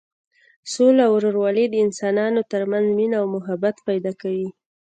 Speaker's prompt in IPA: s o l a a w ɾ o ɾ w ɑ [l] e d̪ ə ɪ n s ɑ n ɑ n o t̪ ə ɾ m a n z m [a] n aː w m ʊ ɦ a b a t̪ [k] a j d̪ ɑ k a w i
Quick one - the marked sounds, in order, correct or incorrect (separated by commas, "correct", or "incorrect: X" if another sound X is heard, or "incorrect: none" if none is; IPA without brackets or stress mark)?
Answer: correct, incorrect: i, incorrect: p